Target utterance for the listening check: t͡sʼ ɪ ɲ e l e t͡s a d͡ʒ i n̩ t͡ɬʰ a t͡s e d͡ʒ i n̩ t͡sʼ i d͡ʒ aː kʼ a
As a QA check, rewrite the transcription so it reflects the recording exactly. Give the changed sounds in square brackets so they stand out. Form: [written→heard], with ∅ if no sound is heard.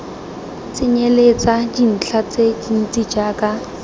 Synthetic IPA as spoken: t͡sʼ ɪ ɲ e l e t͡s a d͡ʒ i n̩ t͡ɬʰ a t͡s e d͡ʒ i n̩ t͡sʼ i d͡ʒ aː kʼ a